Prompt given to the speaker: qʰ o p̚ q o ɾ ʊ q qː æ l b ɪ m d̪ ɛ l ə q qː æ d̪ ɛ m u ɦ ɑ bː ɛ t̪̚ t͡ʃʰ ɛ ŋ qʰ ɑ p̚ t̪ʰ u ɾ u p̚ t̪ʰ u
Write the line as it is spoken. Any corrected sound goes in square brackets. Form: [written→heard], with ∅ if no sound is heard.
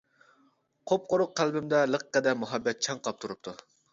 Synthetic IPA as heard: qʰ o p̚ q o ɾ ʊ q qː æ l b ɪ m d̪ ɛ l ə q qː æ d̪ ɛ m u ɦ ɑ bː ɛ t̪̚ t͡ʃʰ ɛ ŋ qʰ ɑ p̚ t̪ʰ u ɾ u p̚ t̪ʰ u

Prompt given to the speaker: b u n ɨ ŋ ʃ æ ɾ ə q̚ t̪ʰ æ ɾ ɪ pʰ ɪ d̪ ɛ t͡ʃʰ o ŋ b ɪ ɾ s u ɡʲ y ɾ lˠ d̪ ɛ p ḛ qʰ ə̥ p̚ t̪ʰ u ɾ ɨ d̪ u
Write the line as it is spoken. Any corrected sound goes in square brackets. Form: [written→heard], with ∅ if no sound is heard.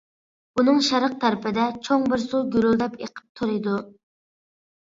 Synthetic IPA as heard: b u n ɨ ŋ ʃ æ ɾ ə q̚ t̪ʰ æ ɾ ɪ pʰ ɪ d̪ ɛ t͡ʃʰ o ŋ b ɪ ɾ s u ɡʲ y ɾ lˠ d̪ ɛ p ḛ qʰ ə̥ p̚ t̪ʰ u ɾ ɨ d̪ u

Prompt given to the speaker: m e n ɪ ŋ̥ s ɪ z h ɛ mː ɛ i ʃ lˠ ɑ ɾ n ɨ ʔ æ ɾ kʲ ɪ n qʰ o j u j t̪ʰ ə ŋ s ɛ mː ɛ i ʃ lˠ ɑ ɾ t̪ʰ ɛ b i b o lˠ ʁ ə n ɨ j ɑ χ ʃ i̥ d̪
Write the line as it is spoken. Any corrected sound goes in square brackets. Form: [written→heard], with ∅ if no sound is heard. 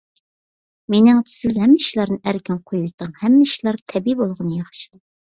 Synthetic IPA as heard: m e n ɪ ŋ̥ s ɪ z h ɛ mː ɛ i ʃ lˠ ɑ ɾ n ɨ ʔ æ ɾ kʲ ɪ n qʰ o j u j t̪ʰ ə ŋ [s→h] ɛ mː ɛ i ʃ lˠ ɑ ɾ t̪ʰ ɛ b i b o lˠ ʁ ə n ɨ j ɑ χ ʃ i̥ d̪

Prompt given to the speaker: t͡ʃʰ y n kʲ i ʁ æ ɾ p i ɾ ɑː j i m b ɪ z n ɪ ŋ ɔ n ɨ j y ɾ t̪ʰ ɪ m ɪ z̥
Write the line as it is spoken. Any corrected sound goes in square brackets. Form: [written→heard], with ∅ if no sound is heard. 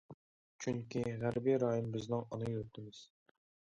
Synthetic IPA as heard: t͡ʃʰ y [n→ŋ] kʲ i ʁ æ ɾ [p→b] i ɾ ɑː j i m b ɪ z n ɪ ŋ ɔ n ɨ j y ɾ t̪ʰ ɪ m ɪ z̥

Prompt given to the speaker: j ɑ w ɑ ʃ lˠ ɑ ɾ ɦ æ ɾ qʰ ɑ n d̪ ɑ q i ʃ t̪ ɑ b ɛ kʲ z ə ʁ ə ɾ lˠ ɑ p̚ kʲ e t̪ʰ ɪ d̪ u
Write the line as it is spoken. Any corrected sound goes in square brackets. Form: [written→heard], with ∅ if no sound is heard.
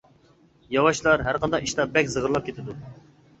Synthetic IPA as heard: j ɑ w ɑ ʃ lˠ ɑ ɾ ɦ æ ɾ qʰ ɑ n d̪ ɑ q i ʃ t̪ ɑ b ɛ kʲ z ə ʁ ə ɾ lˠ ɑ p̚ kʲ e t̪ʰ ɪ d̪ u

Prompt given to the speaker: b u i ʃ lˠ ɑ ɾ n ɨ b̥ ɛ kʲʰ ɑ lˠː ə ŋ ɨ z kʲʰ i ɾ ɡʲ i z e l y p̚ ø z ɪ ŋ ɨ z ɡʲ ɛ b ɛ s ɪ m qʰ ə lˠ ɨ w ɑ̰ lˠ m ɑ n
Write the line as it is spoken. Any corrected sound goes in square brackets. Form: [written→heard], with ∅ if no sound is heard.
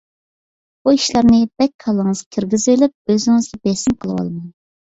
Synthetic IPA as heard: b u i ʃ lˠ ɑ ɾ n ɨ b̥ ɛ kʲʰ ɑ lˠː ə ŋ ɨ z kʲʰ i ɾ ɡʲ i z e l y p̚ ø z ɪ ŋ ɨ z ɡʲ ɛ b ɛ s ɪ m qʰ ə lˠ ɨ w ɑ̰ lˠ m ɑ n

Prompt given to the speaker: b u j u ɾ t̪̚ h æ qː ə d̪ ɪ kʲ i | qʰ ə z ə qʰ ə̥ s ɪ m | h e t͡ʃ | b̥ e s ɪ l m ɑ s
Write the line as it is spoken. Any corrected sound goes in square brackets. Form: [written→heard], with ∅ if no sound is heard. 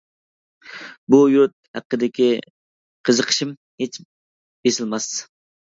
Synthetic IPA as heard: b u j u ɾ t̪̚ h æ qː ə d̪ ɪ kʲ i | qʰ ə z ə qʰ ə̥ [s→ʃ] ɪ m | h e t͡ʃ | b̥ e s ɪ l m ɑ s

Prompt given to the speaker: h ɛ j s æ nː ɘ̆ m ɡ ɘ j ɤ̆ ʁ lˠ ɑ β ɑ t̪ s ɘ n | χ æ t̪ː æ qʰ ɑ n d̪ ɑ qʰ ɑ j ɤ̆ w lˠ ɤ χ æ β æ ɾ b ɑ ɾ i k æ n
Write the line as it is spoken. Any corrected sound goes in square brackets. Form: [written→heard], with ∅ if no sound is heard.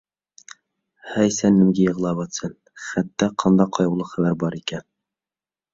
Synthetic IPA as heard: h [ɛ→æ] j s æ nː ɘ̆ m ɡ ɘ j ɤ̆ ʁ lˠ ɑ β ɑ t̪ s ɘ n | χ æ t̪ː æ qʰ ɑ n d̪ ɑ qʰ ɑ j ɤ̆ w lˠ ɤ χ æ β æ ɾ b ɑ ɾ i k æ n

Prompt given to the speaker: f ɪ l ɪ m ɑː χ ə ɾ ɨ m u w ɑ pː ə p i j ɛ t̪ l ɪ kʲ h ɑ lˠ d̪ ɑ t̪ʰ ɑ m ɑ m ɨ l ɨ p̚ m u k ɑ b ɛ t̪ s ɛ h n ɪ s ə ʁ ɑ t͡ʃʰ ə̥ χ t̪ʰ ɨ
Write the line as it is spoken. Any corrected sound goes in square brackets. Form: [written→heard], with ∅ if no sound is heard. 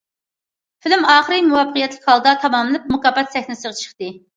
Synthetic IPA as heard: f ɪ l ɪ m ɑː χ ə ɾ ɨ m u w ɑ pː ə [p→q] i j ɛ t̪ l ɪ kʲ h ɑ lˠ d̪ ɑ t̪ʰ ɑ m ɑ m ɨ l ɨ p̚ m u k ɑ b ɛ t̪ s ɛ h n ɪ s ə ʁ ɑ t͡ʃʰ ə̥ χ [t̪ʰ→t̪] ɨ

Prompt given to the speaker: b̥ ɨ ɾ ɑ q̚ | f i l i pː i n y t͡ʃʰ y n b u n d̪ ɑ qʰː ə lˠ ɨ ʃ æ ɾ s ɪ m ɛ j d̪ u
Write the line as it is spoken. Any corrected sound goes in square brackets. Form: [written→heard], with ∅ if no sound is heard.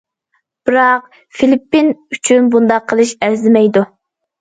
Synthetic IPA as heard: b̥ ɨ ɾ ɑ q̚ | f i l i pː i n y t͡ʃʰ y n b u n d̪ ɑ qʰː ə lˠ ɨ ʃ æ ɾ [s→z] ɪ m ɛ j d̪ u

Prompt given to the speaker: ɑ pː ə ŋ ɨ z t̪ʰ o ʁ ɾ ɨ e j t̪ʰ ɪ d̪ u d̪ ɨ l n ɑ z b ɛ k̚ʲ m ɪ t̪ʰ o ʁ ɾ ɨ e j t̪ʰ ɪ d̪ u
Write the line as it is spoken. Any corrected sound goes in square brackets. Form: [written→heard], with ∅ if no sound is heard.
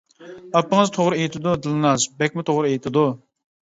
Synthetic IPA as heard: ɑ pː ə ŋ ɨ z t̪ʰ o ʁ ɾ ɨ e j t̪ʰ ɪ d̪ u d̪ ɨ l n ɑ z b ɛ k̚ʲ m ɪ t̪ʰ o ʁ ɾ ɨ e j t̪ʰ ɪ d̪ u

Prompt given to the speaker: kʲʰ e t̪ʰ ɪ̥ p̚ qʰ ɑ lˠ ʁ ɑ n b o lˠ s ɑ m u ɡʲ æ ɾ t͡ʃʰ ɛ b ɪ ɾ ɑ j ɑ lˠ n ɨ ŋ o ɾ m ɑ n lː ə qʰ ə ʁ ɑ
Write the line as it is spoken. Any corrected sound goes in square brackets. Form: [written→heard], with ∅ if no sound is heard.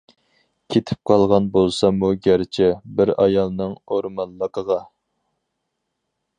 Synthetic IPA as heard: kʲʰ e t̪ʰ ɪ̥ p̚ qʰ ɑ lˠ ʁ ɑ n b o lˠ s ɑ m u ɡʲ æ ɾ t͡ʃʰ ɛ b ɪ ɾ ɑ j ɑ lˠ n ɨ ŋ o ɾ m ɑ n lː ə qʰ ə ʁ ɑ

